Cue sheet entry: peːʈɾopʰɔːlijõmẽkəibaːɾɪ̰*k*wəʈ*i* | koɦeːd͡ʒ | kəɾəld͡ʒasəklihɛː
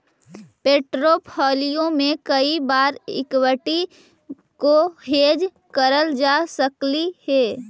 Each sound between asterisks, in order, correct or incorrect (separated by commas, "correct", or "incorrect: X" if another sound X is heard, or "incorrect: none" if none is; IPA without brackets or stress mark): correct, correct